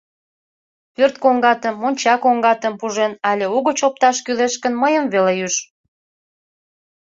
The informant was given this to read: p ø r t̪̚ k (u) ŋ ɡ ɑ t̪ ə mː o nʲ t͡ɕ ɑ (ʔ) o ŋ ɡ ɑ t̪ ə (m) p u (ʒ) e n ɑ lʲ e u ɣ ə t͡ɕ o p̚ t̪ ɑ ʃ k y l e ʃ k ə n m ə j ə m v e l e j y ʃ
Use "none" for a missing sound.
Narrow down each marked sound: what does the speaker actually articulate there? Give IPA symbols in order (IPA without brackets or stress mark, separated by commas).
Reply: o, k, m, ʒ